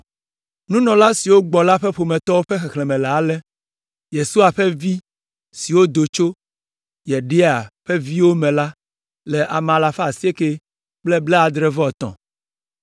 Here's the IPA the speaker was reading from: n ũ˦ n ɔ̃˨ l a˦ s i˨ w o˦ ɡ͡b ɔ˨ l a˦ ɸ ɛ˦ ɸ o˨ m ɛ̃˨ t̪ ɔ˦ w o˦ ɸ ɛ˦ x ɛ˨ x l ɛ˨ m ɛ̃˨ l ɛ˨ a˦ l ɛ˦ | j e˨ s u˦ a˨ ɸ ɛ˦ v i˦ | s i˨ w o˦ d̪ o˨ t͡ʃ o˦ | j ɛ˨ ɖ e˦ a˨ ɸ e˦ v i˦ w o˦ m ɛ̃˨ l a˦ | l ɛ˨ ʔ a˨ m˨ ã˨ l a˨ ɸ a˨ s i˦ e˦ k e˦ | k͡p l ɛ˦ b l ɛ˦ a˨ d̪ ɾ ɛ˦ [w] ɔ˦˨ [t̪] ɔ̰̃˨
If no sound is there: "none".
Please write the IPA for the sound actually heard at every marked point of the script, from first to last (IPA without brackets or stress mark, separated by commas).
v, t̪